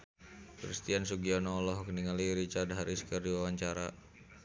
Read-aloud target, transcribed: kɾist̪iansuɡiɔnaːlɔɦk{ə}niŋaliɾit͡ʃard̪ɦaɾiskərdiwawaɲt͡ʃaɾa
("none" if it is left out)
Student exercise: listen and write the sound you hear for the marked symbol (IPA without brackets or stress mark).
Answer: ə